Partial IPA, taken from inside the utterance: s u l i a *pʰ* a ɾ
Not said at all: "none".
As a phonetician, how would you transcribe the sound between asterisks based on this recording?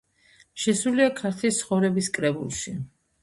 kʰ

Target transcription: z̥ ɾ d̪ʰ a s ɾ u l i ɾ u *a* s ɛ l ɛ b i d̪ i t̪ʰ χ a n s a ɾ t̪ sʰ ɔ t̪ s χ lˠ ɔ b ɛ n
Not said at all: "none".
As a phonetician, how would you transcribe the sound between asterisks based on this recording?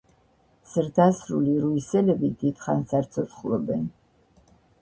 i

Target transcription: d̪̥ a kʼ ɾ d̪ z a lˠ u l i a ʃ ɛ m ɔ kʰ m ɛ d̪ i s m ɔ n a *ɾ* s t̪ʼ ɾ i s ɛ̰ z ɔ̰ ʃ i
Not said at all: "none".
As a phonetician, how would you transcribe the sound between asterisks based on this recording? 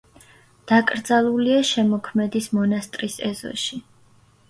none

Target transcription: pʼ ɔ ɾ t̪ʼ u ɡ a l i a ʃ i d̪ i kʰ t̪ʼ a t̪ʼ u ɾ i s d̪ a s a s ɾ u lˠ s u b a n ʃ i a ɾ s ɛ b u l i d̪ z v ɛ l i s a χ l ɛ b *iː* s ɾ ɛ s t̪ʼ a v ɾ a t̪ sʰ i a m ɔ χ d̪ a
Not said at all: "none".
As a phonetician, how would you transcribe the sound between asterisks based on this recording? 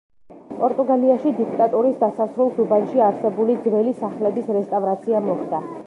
i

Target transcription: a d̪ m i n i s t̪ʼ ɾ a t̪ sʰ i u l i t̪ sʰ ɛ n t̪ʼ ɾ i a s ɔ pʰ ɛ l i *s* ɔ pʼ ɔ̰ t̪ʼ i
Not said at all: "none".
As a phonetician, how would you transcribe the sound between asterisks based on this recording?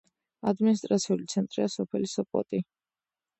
s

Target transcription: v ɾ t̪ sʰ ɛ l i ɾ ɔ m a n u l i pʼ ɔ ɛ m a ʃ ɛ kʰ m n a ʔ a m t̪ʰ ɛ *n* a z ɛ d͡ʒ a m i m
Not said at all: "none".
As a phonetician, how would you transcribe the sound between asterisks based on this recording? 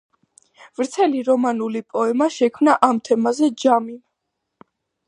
m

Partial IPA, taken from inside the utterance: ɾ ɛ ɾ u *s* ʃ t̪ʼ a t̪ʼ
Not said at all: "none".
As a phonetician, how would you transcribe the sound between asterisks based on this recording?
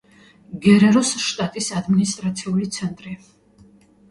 s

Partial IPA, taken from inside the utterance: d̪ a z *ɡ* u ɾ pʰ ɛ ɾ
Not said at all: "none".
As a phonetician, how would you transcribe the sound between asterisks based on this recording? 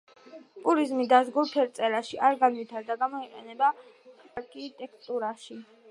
ɡ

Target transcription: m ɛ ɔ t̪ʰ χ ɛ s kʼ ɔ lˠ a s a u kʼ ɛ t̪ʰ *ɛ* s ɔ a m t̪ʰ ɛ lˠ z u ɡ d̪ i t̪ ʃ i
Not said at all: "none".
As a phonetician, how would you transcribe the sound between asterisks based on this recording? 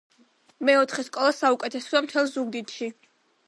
ɛ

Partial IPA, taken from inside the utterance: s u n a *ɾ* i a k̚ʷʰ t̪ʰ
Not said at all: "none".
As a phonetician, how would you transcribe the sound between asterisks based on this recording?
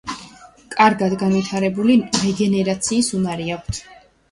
ɾ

